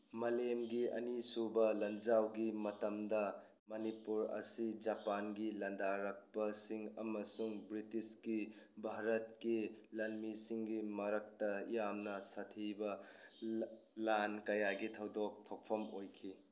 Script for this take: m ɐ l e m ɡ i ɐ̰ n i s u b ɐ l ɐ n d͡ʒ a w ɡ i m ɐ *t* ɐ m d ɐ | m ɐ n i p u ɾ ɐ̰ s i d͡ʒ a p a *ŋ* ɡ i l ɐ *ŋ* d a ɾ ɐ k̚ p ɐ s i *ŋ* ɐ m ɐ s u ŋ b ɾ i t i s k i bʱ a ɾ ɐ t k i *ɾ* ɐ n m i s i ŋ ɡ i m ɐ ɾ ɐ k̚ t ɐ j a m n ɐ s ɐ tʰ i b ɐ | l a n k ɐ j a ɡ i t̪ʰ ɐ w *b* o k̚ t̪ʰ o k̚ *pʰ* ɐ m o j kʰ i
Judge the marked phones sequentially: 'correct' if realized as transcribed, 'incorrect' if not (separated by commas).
correct, incorrect, incorrect, correct, incorrect, incorrect, correct